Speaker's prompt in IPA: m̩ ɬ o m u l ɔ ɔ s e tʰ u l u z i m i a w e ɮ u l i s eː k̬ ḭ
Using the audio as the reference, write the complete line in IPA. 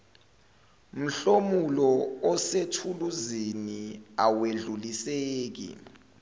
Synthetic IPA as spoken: m̩ ɬ o m u l ɔ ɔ s e tʰ u l u z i n i a w e ɮ u l i s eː k̬ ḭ